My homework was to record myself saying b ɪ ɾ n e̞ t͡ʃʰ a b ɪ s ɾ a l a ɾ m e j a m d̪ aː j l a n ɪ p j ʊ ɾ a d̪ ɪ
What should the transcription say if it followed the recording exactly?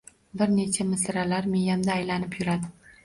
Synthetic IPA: b ɪ ɾ n e̞ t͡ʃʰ a m ɪ s ɾ a l a ɾ m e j a m d̪ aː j l a n ɪ p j ʊ ɾ a d̪ ɪ